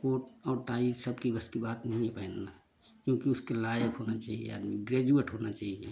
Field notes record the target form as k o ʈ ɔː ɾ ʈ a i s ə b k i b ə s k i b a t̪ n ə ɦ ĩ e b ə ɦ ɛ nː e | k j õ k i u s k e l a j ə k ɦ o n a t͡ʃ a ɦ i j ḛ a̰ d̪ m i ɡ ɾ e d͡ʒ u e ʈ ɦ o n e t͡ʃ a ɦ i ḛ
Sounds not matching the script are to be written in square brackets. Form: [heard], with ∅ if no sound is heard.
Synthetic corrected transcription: k o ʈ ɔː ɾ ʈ a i s ə b k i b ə s k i b a t̪ n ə ɦ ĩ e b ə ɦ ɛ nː [a] | k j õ k i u s k e l a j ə k ɦ o n a t͡ʃ a ɦ i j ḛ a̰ d̪ m i ɡ ɾ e d͡ʒ u e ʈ ɦ o n [a] t͡ʃ a ɦ i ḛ